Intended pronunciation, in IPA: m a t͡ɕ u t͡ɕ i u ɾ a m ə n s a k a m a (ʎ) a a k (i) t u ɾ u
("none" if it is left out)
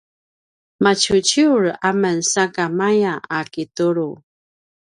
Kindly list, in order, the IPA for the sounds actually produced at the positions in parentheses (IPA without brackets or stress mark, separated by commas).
j, i